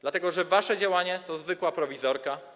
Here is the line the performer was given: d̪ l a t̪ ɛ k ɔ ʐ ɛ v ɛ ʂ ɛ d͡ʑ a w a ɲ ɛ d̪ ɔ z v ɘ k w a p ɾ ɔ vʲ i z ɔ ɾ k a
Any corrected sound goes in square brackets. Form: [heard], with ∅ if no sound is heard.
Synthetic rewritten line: d̪ l a t̪ ɛ [ɡ] ɔ ʐ ɛ v [a] ʂ ɛ d͡ʑ a w a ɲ ɛ [t̪] ɔ z v ɘ k w a p ɾ ɔ vʲ i z ɔ ɾ k a